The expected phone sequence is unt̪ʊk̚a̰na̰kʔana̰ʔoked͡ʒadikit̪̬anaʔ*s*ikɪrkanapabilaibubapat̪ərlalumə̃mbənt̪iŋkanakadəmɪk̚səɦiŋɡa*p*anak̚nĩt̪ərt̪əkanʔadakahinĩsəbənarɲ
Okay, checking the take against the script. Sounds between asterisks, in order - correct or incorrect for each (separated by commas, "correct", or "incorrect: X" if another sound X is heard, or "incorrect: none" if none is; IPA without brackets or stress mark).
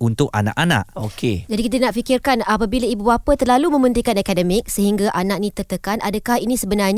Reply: incorrect: f, incorrect: ʔ